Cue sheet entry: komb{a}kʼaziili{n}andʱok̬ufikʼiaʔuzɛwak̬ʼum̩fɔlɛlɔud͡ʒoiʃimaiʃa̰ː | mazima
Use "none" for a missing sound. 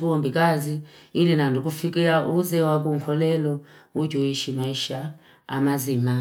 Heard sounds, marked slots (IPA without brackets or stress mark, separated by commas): i, n